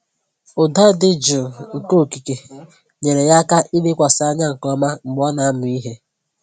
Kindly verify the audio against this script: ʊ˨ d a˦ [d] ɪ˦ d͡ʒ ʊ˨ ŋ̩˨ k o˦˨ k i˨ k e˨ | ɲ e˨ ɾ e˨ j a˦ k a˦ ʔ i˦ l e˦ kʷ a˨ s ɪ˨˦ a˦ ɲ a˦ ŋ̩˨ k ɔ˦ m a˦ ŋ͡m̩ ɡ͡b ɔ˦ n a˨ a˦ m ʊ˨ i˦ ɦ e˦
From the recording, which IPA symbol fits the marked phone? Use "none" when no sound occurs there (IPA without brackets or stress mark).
d